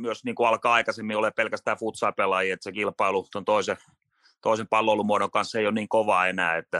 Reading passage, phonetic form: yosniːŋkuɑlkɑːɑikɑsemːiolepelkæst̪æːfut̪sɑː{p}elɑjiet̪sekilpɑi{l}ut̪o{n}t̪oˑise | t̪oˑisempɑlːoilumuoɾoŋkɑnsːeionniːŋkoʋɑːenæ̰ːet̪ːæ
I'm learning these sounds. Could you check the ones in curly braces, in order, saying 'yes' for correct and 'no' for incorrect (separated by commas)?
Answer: yes, yes, yes